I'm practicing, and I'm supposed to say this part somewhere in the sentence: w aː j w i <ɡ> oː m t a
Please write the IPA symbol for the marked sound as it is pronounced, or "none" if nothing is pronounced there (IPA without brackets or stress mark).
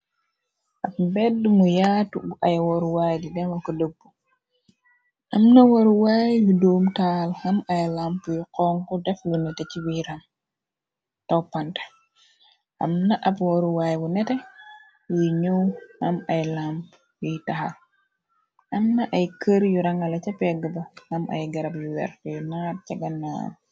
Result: d